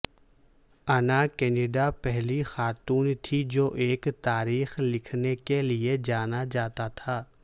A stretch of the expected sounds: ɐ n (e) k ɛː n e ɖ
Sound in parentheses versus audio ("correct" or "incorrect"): incorrect